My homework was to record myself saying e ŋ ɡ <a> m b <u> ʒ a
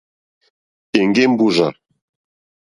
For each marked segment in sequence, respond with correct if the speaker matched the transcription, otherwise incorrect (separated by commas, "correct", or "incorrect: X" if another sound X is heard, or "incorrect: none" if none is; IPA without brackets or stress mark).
incorrect: e, correct